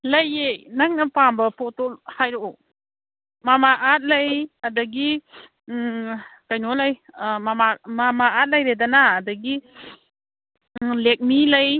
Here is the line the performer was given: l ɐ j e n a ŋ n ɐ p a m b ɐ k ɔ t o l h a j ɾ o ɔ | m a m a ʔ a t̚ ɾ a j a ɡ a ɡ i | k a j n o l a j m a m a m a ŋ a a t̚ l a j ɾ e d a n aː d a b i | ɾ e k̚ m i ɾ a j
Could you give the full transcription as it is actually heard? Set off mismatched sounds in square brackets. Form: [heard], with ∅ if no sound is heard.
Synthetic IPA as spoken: l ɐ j e n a ŋ n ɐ p a m b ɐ [p] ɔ t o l h a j ɾ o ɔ | m a m a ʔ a t̚ [l] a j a [d] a ɡ i | k a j n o l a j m a m a m a [m] a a t̚ l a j ɾ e d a n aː d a [ɡ] i | [l] e k̚ m i [l] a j